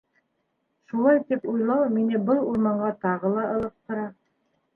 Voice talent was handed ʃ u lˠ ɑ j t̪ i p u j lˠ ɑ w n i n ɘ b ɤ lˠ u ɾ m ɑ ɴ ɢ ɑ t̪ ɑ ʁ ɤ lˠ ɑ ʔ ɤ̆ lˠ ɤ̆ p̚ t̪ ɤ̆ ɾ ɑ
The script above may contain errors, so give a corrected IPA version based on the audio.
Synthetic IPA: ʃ u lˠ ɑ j t̪ i p u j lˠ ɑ w m i n ɘ b ɤ lˠ u ɾ m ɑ ɴ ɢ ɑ t̪ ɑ ʁ ɤ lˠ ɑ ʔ ɤ̆ lˠ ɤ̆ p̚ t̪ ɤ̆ ɾ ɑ